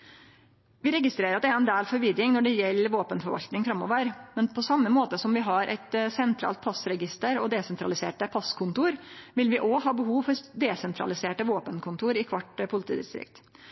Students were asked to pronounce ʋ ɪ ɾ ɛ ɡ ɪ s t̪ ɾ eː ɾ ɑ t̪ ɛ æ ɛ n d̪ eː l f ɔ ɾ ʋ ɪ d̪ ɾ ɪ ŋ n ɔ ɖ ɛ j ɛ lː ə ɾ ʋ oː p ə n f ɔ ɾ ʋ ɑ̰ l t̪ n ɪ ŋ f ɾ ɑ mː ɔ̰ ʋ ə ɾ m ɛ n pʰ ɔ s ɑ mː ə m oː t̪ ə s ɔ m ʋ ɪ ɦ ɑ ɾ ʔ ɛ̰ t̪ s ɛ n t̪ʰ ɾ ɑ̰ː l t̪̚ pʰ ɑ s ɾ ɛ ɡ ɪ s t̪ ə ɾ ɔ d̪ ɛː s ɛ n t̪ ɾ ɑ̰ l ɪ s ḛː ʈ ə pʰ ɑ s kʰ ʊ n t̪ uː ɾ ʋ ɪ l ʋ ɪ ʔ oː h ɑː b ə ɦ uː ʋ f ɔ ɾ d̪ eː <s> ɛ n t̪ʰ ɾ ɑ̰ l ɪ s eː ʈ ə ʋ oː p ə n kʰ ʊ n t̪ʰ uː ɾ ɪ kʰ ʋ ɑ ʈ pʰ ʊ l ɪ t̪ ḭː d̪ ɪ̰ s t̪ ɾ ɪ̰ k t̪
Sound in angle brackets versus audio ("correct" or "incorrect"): correct